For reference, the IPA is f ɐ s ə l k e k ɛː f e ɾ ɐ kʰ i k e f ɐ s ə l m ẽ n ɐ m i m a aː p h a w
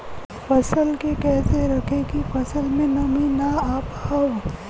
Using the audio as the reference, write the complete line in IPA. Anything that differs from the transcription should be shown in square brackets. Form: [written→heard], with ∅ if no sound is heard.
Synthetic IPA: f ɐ s ə l k e k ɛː [f→s] e ɾ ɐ kʰ [i→e] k [e→i] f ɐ s ə l m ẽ n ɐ m i [m→n] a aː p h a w